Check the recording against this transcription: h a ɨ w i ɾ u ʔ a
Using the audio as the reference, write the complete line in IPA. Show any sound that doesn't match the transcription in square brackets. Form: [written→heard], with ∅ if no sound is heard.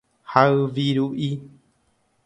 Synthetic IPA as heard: h a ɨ [w→ʋ] i ɾ u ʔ [a→i]